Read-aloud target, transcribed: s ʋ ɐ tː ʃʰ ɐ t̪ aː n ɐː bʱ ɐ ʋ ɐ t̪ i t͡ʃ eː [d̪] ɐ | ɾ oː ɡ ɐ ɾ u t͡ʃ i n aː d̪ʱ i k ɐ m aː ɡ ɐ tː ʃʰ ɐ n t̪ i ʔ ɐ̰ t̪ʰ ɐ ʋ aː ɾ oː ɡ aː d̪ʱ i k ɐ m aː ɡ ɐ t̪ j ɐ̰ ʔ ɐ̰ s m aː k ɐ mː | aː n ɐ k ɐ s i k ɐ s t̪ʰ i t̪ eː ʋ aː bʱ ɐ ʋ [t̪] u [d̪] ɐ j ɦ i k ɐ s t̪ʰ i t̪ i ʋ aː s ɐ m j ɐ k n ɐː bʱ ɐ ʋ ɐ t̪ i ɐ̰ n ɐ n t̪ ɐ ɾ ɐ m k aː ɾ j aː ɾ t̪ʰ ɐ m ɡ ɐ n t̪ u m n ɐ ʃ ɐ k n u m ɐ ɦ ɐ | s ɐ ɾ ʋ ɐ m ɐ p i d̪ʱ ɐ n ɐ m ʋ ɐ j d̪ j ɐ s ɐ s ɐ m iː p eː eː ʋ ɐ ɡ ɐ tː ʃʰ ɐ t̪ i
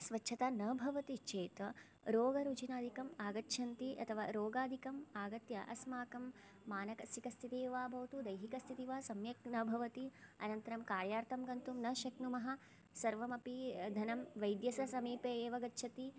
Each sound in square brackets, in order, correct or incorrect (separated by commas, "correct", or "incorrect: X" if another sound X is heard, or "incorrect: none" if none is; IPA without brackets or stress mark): incorrect: t̪, correct, correct